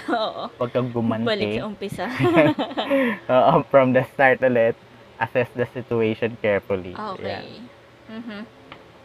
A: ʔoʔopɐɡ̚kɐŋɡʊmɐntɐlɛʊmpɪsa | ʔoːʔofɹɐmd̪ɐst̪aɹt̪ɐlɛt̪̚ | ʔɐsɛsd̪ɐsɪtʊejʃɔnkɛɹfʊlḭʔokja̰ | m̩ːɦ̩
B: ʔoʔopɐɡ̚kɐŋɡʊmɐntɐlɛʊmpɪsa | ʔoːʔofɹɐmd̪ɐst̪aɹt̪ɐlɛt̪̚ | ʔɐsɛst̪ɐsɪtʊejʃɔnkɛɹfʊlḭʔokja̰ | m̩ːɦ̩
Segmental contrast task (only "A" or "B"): A